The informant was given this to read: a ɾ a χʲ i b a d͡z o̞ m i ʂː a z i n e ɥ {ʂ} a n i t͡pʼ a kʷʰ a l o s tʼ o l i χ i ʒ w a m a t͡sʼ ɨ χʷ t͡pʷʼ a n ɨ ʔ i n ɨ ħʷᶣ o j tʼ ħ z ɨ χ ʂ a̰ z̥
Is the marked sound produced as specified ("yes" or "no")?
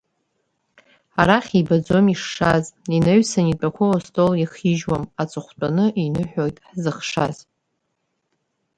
no